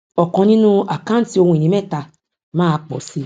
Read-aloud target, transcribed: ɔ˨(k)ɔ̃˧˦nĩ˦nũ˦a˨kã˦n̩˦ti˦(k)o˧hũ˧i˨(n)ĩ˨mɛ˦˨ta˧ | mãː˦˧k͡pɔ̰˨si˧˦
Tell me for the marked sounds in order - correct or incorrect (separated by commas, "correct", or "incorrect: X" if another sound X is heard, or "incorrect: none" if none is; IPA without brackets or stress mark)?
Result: correct, incorrect: none, correct